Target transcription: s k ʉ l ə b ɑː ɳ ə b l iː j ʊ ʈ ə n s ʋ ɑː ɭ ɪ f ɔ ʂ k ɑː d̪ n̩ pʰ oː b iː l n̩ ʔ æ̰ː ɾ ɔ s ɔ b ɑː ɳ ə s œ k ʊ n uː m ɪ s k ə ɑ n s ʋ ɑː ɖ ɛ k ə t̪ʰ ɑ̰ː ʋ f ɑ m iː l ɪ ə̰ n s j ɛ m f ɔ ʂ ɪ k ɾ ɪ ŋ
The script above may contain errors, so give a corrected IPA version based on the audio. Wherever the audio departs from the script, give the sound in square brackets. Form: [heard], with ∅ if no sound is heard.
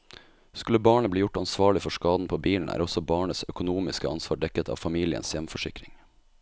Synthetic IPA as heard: s k ʉ l ə b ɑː ɳ ə b l iː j ʊ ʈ [ɑ] n s ʋ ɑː ɭ ɪ f ɔ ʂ k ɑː d̪ n̩ pʰ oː b iː l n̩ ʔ æ̰ː ɾ ɔ s ɔ b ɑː ɳ ə s œ k ʊ n uː m ɪ s k ə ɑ n s ʋ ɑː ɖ ɛ k ə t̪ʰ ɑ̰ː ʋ f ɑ m iː l ɪ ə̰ n s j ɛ m f ɔ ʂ ɪ k ɾ ɪ ŋ